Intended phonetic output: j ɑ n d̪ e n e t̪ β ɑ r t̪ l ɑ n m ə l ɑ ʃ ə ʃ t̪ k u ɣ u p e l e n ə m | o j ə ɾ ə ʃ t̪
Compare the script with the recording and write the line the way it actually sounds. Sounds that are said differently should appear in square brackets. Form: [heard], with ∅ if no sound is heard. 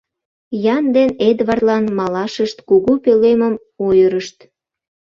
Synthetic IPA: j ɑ n d̪ e n e [d̪] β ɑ r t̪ l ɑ n m [ɑ] l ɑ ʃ ə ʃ t̪ k u ɣ u p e l e [m] ə m | o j ə ɾ ə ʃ t̪